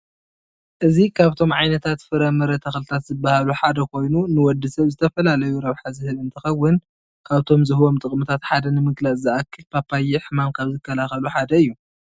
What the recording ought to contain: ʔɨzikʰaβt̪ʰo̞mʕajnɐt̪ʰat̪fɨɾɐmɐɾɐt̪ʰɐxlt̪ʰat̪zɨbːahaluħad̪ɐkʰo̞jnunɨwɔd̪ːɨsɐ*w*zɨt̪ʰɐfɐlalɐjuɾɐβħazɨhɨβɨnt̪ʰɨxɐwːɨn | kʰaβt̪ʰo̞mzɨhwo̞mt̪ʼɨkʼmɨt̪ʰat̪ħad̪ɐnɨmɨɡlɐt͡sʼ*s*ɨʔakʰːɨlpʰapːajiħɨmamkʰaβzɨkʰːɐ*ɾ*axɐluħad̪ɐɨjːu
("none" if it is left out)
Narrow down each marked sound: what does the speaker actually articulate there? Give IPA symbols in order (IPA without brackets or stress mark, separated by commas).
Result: β, z, l